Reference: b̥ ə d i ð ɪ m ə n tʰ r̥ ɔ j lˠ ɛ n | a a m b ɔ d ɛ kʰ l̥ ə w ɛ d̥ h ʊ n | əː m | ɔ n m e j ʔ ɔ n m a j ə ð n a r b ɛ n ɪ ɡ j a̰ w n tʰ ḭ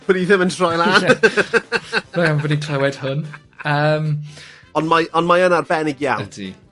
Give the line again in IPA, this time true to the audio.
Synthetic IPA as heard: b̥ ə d i ð ɪ m ə n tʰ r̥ ɔ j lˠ a n | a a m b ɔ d i kʰ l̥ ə w ɛ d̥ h ʊ n | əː m | ɔ n m a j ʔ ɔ n m a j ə n a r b ɛ n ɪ ɡ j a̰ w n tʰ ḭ